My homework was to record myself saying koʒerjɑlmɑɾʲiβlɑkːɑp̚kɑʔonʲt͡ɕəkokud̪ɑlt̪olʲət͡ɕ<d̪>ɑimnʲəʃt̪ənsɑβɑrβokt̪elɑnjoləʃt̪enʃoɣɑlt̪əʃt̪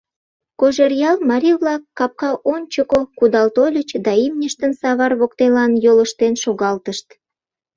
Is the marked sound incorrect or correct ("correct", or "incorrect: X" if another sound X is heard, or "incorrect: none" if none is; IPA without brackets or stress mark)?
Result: correct